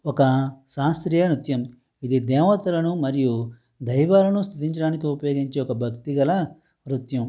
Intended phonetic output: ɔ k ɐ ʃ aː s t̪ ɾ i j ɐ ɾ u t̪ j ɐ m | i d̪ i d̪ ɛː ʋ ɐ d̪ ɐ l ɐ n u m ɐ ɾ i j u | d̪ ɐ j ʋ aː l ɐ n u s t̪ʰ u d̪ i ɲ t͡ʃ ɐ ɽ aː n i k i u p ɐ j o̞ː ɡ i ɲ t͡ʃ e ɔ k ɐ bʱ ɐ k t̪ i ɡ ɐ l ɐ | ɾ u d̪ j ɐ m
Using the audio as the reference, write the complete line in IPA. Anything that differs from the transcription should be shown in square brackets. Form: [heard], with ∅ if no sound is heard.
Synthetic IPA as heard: ɔ k ɐ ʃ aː s t̪ ɾ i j ɐ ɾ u t̪ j ɐ m | i d̪ i d̪ ɛː ʋ ɐ [t̪] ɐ l ɐ n u m ɐ ɾ i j u | d̪ ɐ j ʋ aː l ɐ n u s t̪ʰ u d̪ i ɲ t͡ʃ ɐ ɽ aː n i k i u p ɐ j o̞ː ɡ i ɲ t͡ʃ e ɔ k ɐ bʱ ɐ k t̪ i ɡ ɐ l ɐ | ɾ u [t̪] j ɐ m